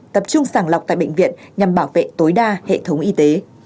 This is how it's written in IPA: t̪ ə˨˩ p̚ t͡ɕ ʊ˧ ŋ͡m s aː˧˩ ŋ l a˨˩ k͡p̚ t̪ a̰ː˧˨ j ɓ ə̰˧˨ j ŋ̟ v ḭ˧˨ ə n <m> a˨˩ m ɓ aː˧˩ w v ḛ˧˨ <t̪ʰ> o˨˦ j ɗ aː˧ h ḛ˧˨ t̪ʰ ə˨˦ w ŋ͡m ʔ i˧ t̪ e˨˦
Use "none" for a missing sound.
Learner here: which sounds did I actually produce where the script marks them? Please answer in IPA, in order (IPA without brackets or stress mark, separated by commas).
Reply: ɲ, t̪